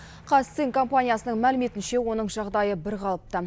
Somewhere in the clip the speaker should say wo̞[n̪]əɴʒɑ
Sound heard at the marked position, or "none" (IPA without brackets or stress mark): n̪